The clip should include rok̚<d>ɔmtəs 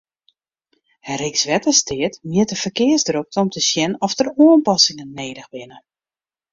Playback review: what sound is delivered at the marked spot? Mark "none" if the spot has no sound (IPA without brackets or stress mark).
t